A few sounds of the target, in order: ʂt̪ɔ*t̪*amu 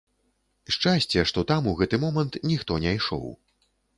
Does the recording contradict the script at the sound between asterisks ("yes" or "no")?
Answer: no